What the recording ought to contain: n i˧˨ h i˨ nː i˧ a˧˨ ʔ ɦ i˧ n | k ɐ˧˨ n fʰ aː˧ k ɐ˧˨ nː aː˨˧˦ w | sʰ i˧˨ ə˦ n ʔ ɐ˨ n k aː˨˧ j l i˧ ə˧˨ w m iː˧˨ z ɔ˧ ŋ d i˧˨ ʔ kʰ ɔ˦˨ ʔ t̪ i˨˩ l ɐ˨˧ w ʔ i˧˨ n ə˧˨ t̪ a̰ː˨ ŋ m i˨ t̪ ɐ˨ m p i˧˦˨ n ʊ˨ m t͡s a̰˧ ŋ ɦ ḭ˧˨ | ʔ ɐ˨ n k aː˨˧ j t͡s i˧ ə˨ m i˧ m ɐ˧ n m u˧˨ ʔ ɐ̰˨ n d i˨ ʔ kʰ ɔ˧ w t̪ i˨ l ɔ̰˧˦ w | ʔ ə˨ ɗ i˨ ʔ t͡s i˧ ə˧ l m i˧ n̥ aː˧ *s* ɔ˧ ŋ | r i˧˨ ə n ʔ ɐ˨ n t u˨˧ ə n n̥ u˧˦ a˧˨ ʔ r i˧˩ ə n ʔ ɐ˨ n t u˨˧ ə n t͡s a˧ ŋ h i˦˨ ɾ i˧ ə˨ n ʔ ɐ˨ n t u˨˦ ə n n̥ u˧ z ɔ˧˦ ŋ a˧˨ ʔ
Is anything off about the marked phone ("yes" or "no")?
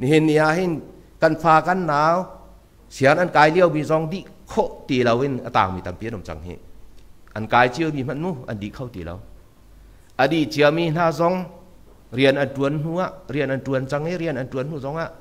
yes